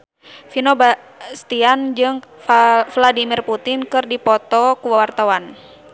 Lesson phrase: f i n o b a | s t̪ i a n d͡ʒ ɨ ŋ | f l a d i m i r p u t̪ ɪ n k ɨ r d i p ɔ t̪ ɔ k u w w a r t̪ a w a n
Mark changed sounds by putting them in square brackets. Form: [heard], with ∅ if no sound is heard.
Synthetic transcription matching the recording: f i n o b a | s t̪ i a n d͡ʒ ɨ ŋ | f l a d i m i r p u t̪ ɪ n k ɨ r d i p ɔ t̪ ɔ k u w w a r t̪ a w a n